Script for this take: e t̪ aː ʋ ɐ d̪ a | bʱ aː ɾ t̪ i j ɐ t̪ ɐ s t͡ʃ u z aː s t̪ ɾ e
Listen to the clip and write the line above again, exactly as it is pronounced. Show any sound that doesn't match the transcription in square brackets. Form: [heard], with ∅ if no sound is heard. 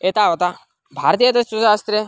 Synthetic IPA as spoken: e t̪ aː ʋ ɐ [t̪] a | bʱ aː ɾ t̪ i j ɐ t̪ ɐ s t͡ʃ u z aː s t̪ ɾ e